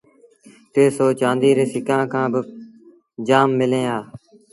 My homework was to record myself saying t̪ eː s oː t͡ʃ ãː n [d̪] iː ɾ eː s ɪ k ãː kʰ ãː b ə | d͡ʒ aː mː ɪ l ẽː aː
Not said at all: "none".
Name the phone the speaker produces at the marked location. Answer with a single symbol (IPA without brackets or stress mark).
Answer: d̪